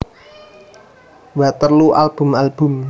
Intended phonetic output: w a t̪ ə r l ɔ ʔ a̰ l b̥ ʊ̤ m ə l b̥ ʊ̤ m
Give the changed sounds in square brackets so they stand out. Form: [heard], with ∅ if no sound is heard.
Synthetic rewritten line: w a t̪ ə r l [u] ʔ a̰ l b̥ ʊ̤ m [a] l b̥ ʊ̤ m